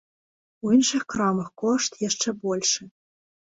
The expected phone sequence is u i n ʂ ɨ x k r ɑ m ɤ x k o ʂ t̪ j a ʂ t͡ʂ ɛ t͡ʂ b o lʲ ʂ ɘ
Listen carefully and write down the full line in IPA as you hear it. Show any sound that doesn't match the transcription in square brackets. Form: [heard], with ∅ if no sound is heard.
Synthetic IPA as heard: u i n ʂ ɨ x k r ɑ m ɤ x k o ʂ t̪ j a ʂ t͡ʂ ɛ [∅] b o lʲ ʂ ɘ